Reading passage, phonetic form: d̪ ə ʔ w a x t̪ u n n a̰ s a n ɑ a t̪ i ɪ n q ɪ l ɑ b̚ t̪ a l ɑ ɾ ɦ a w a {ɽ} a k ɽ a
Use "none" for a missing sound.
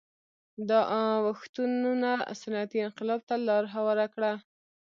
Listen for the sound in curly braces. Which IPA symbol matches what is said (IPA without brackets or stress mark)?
ɾ